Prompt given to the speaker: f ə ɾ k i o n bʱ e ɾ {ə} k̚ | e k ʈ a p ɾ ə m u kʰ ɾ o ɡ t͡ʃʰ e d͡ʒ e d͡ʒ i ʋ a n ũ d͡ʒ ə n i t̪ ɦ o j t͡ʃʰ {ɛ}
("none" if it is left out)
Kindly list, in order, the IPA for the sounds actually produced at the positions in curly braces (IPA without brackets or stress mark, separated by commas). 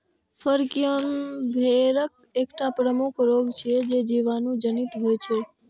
ə, e